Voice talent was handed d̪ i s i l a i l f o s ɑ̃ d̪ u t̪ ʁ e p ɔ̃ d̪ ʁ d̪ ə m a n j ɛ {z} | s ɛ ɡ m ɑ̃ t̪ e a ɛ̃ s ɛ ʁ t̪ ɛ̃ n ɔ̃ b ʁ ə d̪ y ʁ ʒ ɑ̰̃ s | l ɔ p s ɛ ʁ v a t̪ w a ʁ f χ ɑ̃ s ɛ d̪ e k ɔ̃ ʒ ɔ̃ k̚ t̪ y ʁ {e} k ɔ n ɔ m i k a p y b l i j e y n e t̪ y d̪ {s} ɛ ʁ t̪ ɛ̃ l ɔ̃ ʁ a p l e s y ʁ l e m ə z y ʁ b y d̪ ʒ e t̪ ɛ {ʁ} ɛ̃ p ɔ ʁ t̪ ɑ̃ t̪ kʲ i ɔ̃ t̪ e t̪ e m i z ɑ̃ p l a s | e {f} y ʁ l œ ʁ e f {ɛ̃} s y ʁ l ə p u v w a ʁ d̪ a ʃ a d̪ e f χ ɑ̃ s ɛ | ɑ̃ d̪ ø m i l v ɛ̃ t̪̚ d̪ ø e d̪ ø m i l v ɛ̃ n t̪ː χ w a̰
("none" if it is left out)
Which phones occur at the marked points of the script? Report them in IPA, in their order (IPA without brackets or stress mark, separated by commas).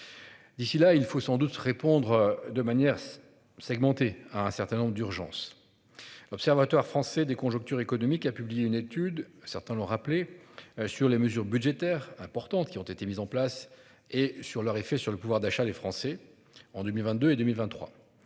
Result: ʁ, e, s, ʁ, s, ɛ